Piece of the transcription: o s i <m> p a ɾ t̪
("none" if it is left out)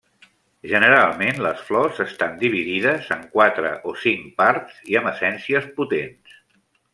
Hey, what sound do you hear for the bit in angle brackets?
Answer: ŋ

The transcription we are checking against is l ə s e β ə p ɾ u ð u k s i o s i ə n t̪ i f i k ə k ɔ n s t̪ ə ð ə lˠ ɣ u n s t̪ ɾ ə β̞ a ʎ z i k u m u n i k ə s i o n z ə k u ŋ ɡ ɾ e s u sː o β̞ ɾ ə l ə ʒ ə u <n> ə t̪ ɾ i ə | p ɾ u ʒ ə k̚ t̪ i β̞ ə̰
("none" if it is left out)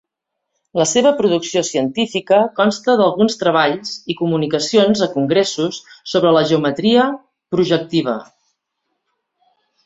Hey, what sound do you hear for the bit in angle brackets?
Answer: m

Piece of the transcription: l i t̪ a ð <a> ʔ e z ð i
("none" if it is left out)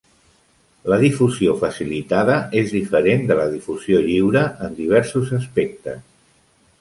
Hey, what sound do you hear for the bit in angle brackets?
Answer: ə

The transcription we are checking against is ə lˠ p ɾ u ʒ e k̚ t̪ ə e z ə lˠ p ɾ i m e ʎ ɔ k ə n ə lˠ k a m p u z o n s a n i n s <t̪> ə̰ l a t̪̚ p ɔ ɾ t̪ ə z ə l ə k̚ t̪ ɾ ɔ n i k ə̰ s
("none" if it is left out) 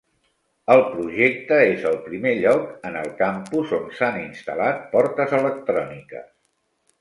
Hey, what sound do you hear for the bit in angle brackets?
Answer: t̪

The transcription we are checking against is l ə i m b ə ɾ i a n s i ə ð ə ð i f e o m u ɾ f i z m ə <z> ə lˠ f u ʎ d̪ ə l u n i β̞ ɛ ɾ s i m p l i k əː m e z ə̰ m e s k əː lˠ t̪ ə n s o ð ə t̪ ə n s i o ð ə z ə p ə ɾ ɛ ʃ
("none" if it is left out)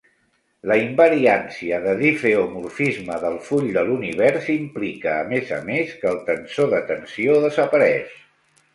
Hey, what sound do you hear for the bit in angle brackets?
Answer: ð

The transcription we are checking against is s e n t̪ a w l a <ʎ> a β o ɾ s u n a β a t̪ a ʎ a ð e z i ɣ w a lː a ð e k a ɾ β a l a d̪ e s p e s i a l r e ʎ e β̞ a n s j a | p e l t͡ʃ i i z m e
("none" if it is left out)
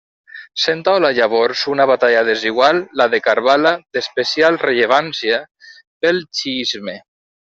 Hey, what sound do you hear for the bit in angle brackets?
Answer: ʎ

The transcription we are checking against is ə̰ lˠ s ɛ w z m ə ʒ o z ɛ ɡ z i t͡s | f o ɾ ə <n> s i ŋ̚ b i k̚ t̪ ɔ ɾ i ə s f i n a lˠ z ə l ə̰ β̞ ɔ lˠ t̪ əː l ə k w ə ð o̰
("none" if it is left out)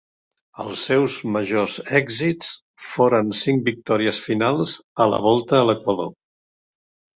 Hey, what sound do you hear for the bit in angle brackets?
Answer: n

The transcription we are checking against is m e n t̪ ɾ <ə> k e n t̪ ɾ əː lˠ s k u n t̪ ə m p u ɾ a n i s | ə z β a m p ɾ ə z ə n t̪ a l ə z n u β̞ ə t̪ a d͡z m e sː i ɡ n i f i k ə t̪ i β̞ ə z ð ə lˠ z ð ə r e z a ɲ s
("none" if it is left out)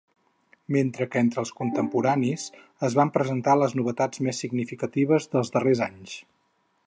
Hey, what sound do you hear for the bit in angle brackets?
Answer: ə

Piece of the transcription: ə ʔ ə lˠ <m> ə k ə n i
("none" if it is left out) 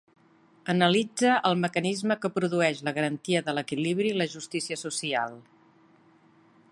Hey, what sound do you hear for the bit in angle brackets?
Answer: m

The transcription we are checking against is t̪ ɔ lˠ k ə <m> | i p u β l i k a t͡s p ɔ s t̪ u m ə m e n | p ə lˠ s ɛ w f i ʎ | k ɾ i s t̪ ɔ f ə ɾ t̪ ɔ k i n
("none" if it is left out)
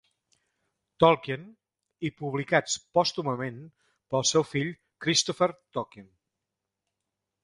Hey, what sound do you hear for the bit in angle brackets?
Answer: n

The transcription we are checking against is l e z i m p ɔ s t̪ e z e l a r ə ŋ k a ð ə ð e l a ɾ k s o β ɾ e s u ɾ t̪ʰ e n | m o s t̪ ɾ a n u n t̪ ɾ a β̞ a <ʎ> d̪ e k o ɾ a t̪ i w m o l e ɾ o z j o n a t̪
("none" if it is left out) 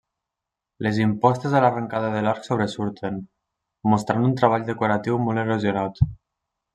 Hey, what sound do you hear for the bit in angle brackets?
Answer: ʎ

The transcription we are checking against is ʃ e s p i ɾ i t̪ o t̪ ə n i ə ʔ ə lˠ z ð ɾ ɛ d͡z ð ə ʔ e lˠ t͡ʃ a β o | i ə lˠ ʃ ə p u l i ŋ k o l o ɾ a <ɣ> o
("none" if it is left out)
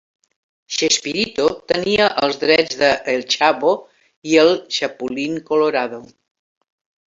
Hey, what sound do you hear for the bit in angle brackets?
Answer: ð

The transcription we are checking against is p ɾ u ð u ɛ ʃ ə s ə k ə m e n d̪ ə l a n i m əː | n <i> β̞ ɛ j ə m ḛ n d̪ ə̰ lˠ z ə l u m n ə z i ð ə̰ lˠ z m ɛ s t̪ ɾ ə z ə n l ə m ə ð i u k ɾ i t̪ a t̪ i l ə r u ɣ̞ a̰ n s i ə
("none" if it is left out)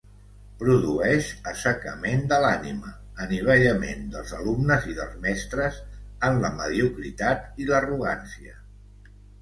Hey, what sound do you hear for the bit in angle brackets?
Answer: i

